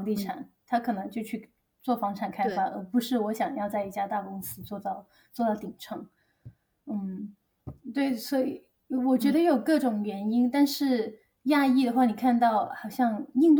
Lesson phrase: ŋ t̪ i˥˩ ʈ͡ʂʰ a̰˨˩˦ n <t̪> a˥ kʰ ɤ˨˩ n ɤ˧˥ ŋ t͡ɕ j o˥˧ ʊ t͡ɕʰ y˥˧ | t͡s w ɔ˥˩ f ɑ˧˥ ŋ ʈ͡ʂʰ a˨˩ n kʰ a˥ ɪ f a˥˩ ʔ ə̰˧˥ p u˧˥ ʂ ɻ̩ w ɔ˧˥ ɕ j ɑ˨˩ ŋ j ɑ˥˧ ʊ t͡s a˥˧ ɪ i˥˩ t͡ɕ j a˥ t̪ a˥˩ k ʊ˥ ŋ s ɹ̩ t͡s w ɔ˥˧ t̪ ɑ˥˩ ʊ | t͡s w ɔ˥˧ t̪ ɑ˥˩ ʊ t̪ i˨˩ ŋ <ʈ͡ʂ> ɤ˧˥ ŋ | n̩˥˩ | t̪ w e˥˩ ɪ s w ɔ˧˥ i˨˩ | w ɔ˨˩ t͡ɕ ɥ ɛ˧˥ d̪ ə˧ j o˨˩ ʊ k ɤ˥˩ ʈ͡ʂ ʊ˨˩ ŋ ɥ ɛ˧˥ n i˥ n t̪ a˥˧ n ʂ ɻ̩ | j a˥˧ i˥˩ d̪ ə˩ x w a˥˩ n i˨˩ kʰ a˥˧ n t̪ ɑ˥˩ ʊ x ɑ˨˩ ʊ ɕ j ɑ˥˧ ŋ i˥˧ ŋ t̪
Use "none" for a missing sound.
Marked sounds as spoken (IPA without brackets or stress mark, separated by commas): t̪ʰ, ʈ͡ʂʰ